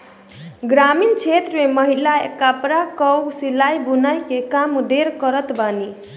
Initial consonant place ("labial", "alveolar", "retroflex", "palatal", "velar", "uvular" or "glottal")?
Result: velar